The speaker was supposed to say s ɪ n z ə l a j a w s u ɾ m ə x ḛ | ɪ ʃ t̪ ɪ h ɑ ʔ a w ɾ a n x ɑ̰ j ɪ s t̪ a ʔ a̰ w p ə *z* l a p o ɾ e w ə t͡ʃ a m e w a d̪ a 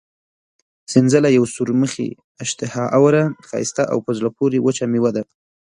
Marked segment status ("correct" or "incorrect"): correct